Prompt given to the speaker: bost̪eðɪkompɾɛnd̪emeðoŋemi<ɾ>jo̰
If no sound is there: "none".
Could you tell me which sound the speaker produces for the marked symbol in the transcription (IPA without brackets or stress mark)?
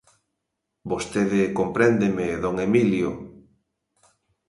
l